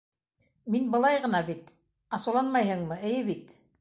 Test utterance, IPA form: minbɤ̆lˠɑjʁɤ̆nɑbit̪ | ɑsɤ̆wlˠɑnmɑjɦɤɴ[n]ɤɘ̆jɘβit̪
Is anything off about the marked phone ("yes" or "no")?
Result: yes